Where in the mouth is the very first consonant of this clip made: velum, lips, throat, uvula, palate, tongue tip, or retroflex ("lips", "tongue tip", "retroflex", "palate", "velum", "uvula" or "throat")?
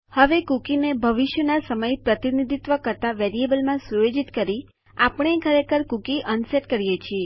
throat